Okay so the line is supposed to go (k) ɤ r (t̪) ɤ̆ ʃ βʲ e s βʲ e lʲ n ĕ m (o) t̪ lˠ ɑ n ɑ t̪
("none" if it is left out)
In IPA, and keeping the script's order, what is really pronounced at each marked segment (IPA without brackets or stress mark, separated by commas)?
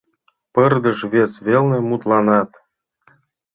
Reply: p, d̪, u